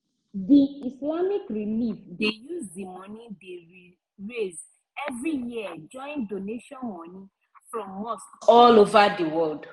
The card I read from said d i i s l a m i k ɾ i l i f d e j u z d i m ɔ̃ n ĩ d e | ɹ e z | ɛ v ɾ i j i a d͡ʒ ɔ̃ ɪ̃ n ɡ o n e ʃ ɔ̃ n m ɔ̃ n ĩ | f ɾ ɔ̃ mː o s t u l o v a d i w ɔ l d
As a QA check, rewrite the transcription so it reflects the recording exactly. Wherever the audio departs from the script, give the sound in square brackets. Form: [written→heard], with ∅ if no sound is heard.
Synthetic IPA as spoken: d i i s l a m i k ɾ i l i f d e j u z d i m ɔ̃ n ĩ d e | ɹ e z | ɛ v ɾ i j i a d͡ʒ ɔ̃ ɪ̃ n [ɡ→d] o n e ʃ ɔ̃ n m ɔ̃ n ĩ | f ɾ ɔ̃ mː o s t [u→ɔ] l o v a d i w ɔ l d